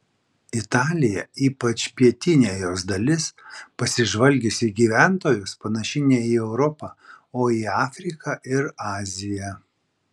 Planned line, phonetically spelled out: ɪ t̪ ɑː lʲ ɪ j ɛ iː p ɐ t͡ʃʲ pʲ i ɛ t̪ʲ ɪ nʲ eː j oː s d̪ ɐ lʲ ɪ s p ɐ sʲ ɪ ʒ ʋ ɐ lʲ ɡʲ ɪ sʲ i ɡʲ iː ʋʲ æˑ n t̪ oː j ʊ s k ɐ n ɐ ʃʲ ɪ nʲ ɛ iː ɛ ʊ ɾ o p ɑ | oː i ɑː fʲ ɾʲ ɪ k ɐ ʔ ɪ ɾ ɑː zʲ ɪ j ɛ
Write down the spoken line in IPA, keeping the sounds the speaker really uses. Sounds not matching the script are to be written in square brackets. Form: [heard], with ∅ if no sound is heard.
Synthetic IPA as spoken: ɪ t̪ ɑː lʲ ɪ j ɛ iː p ɐ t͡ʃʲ pʲ i ɛ t̪ʲ ɪ nʲ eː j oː s d̪ ɐ lʲ ɪ s p ɐ sʲ ɪ ʒ ʋ ɐ lʲ ɡʲ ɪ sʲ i ɡʲ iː ʋʲ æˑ n t̪ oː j ʊ s [p] ɐ n ɐ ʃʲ ɪ nʲ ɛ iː ɛ ʊ ɾ [ɔ] p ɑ | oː i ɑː fʲ ɾʲ ɪ k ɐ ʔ ɪ ɾ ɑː zʲ ɪ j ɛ

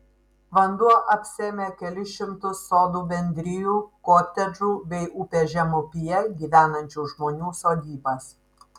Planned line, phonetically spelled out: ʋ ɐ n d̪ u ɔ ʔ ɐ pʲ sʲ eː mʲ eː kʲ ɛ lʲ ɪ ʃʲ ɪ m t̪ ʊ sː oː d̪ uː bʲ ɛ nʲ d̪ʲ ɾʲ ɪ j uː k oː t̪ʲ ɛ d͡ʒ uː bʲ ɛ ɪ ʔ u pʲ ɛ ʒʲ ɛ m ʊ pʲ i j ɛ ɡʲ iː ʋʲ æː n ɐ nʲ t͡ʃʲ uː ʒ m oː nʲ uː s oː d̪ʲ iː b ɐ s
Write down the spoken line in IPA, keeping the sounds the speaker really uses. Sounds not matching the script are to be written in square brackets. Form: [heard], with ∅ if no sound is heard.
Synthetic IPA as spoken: ʋ ɐ n d̪ u ɔ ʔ ɐ pʲ sʲ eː mʲ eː kʲ ɛ lʲ ɪ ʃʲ ɪ m t̪ ʊ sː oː d̪ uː bʲ ɛ nʲ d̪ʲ ɾʲ ɪ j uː k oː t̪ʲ ɛ d͡ʒ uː bʲ ɛ ɪ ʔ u pʲ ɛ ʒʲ ɛ m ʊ pʲ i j ɛ ɡʲ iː ʋʲ æː n ɐ nʲ t͡ʃʲ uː ʒ m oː nʲ uː s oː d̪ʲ iː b ɐ s

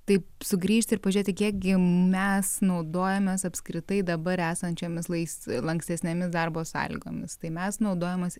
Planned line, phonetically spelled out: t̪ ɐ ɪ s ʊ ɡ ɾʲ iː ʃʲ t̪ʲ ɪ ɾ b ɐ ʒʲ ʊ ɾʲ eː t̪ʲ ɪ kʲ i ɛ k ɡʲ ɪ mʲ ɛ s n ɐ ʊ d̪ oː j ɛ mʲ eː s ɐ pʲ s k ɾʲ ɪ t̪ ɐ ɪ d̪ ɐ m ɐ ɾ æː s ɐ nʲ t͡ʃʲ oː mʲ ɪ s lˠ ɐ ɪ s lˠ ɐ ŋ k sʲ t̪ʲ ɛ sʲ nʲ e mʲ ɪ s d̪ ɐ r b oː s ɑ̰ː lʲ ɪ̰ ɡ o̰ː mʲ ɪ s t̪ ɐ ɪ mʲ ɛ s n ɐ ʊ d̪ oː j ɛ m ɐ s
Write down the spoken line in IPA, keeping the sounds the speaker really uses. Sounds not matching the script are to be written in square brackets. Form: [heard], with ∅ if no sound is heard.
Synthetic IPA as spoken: t̪ ɐ ɪ s ʊ ɡ ɾʲ iː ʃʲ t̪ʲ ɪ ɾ [p] ɐ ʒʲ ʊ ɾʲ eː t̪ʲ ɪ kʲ i ɛ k ɡʲ ɪ mʲ ɛ s n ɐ ʊ d̪ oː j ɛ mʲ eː s ɐ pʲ s k ɾʲ ɪ t̪ ɐ ɪ d̪ ɐ [b] ɐ ɾ æː s ɐ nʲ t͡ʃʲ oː mʲ ɪ s lˠ ɐ ɪ s lˠ ɐ ŋ k sʲ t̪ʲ ɛ sʲ nʲ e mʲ ɪ s d̪ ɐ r b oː s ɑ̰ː lʲ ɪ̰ ɡ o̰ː mʲ ɪ s t̪ ɐ ɪ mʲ ɛ s n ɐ ʊ d̪ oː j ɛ m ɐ s

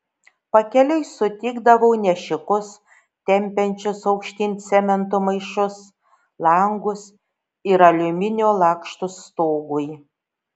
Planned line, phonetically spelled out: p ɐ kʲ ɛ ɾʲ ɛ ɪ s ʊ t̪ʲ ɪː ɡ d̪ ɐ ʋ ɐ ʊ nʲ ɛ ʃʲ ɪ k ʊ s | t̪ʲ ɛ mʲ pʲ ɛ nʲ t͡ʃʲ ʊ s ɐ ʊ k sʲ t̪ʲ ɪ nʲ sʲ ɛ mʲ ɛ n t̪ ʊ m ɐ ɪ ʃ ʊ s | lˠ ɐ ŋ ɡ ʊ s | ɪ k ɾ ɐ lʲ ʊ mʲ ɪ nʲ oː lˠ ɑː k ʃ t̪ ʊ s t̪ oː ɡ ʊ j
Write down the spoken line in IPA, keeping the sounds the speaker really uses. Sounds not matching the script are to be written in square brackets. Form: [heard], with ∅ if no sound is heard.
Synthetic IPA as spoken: p ɐ kʲ ɛ [lʲ] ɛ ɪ s ʊ t̪ʲ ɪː ɡ d̪ ɐ ʋ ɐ ʊ nʲ ɛ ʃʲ ɪ k ʊ s | t̪ʲ ɛ mʲ pʲ ɛ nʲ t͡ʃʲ ʊ s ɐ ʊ k [ʃʲ] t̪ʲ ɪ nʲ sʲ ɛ mʲ ɛ n t̪ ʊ m ɐ ɪ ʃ ʊ s | lˠ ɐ ŋ ɡ ʊ s | ɪ [∅] ɾ ɐ lʲ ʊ mʲ ɪ nʲ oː lˠ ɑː k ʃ t̪ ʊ s t̪ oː ɡ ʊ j

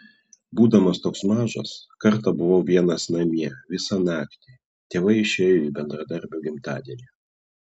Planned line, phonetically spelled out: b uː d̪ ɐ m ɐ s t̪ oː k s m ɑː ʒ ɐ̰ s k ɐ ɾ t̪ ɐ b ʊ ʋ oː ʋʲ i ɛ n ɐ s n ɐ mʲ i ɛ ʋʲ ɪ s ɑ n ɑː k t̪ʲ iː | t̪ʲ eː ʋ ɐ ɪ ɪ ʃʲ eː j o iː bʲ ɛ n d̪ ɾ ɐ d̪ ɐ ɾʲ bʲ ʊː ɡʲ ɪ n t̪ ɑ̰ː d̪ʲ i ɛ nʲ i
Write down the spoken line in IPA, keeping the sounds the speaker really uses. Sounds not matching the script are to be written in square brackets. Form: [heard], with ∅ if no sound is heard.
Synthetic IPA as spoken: b uː d̪ ɐ m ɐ s t̪ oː k s m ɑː ʒ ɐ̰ s k ɐ ɾ t̪ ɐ b ʊ ʋ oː ʋʲ i ɛ n ɐ s n ɐ mʲ i ɛ ʋʲ ɪ s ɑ n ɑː k t̪ʲ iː | t̪ʲ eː ʋ ɐ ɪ ɪ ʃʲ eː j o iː bʲ ɛ n d̪ ɾ ɐ d̪ ɐ ɾʲ bʲ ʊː ɡʲ ɪ [m] t̪ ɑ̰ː d̪ʲ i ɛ nʲ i

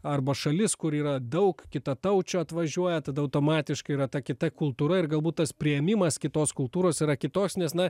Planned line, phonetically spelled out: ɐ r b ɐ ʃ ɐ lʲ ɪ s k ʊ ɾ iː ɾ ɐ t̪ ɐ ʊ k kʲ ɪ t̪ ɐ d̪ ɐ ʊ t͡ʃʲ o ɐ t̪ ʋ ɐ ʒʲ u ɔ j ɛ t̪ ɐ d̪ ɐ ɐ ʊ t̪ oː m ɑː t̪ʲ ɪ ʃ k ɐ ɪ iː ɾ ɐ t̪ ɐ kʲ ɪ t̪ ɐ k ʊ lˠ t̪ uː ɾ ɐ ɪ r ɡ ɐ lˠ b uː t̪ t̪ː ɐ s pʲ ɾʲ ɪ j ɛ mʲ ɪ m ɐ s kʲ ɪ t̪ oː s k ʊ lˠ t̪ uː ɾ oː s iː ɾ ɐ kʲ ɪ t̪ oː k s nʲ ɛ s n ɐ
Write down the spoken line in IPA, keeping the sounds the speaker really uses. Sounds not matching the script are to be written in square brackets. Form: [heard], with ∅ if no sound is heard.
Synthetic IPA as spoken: ɐ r b ɐ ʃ ɐ lʲ ɪ s k ʊ ɾ iː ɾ ɐ [d̪] ɐ ʊ k kʲ ɪ t̪ ɐ [t̪] ɐ ʊ t͡ʃʲ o ɐ t̪ ʋ ɐ ʒʲ u ɔ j ɛ t̪ ɐ d̪ ɐ ɐ ʊ t̪ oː m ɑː t̪ʲ ɪ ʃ k ɐ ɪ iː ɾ ɐ t̪ ɐ kʲ ɪ t̪ ɐ k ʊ lˠ t̪ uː ɾ ɐ ɪ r ɡ ɐ lˠ b uː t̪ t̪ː ɐ s pʲ ɾʲ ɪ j ɛ mʲ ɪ m ɐ s kʲ ɪ t̪ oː s k ʊ lˠ t̪ uː ɾ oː s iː ɾ ɐ kʲ ɪ t̪ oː k s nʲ ɛ s n ɐ

